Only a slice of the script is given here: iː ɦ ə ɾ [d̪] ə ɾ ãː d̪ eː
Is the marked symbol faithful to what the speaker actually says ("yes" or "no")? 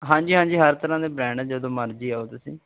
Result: no